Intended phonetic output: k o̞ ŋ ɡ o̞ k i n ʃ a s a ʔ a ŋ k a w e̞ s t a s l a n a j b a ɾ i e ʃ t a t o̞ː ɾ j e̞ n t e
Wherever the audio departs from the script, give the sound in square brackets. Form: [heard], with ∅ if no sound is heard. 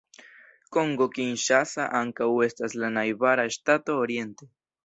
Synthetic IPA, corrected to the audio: k o̞ ŋ ɡ o̞ k i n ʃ a s a ʔ a ŋ k a w e̞ s t a s l a n a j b a ɾ [a] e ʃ t a t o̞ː ɾ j e̞ n t e

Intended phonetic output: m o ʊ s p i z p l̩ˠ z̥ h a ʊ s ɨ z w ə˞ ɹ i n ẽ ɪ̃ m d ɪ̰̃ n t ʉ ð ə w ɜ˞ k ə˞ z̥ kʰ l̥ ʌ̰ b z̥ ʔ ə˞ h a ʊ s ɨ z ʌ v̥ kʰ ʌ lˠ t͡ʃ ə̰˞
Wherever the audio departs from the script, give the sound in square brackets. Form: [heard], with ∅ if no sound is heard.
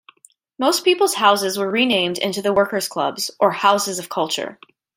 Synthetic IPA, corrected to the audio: m o ʊ s p i [∅] p l̩ˠ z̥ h a ʊ s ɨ z w ə˞ ɹ i n ẽ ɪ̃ m d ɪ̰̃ n t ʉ ð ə w ɜ˞ k ə˞ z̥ kʰ l̥ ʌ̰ b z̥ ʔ ə˞ h a ʊ s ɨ z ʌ v̥ kʰ ʌ lˠ t͡ʃ ə̰˞

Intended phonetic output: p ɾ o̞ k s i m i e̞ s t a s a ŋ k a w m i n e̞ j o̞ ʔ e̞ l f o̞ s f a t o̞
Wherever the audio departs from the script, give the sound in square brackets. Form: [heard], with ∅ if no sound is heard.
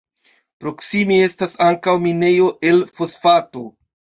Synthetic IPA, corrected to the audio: p ɾ o̞ k s i m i e̞ s t a s a ŋ k a w m i n e̞ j o̞ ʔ e̞ l f o̞ s f a t o̞

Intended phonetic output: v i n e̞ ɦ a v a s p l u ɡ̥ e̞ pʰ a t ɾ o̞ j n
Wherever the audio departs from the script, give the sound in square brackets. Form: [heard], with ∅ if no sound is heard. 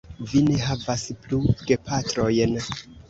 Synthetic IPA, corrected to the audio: v i n e̞ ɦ a v a s p l u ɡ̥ e̞ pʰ a t ɾ o̞ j n

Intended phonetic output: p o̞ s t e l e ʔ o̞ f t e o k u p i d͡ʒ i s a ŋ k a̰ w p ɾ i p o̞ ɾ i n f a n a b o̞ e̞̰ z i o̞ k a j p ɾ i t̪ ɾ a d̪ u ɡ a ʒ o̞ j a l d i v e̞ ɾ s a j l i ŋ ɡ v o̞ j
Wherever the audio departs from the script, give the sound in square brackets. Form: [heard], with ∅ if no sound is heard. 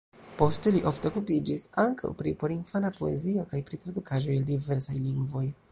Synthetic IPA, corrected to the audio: p o̞ s t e l [i] ʔ o̞ f t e o k u p i d͡ʒ i s a ŋ k a̰ w p ɾ i p o̞ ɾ i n f a n a [p] o̞ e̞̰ z i o̞ k a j p ɾ i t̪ ɾ a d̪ u [k] a ʒ o̞ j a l d i v e̞ ɾ s a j l i ŋ ɡ v o̞ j

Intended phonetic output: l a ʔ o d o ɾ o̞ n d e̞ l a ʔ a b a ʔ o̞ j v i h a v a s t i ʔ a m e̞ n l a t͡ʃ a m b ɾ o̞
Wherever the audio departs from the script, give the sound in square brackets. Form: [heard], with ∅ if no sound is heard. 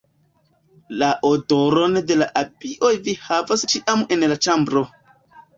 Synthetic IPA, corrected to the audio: l a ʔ o d o ɾ o̞ n d e̞ l a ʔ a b [i] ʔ o̞ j v i h a v a s [t͡ʃ] i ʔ a m e̞ n l a t͡ʃ a m b ɾ o̞

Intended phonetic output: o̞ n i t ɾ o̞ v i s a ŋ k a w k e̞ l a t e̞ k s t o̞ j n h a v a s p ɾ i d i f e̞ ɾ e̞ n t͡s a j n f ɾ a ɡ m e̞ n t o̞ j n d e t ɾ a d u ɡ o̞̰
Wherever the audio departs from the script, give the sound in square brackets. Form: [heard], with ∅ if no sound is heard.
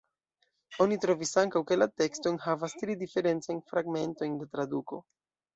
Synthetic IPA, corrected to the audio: o̞ n i t ɾ o̞ v i s a ŋ k a w k e̞ l a t e̞ k s t o̞ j n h a v a s [t] ɾ i d i f e̞ ɾ e̞ n t͡s a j n f ɾ a ɡ m e̞ n t o̞ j n d e t ɾ a d u [k] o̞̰

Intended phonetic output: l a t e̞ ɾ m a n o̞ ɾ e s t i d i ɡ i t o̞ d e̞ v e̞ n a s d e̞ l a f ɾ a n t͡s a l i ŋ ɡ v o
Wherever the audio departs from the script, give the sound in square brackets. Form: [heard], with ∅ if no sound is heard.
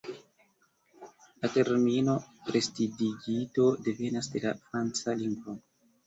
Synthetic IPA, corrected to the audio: l a t e̞ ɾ m [i] n o̞ ɾ e s t i d i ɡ i t o̞ d e̞ v e̞ n a s d e̞ l a f ɾ a n t͡s a l i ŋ ɡ v o

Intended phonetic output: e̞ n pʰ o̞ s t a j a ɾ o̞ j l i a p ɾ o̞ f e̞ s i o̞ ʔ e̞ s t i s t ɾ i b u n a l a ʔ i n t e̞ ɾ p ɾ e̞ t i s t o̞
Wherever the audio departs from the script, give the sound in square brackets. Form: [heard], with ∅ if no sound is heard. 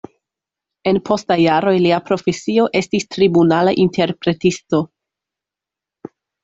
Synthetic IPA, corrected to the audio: e̞ n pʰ o̞ s t a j a ɾ o̞ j l i a p ɾ o̞ f e̞ s i o̞ ʔ e̞ s t i s t ɾ i b u n a l a ʔ i n t e̞ ɾ p ɾ e̞ t i s t o̞

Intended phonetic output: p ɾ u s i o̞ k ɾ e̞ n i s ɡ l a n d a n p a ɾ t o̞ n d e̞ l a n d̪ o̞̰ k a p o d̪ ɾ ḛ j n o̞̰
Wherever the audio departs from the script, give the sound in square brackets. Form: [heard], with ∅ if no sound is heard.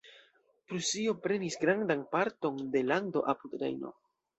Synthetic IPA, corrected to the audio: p ɾ u s i o̞ [p] ɾ e̞ n i s ɡ [ɾ] a n d a n p a ɾ t o̞ n d e̞ l a n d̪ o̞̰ [ʔ] a p [u] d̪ ɾ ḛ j n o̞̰

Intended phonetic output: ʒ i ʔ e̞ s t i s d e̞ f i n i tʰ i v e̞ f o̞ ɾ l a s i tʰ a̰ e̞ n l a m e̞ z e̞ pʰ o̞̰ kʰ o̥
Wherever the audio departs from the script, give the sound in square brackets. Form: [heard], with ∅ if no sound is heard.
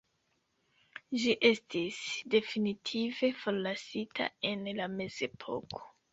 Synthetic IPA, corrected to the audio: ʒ i ʔ e̞ s t i s d e̞ f i n i tʰ i v e̞ f o̞ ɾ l a s i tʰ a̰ e̞ n l a m e̞ z e̞ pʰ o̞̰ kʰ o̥

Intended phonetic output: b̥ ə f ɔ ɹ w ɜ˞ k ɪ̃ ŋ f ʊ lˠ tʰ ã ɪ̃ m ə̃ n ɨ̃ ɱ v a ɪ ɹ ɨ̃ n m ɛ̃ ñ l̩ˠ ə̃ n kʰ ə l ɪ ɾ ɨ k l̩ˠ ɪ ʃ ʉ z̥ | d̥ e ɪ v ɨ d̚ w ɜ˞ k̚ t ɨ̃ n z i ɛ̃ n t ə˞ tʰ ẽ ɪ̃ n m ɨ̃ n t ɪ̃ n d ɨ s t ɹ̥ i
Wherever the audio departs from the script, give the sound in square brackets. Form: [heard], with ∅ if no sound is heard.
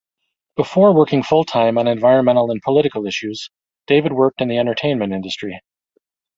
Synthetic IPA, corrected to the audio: b̥ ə f ɔ ɹ w ɜ˞ k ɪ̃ ŋ f ʊ lˠ tʰ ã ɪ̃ m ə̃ n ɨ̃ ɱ v a ɪ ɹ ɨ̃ n m ɛ̃ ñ l̩ˠ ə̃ n [pʰ] ə l ɪ ɾ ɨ k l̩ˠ ɪ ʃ ʉ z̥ | d̥ e ɪ v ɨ d̚ w ɜ˞ k̚ t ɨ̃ n [ð] i ɛ̃ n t ə˞ tʰ ẽ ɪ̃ n m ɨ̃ n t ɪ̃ n d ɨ s t ɹ̥ i

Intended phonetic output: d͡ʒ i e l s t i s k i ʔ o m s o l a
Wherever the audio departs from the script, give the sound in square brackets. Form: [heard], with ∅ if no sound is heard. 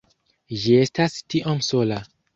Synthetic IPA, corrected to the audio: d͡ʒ i e [∅] s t [a] s [t] i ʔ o m s o l a

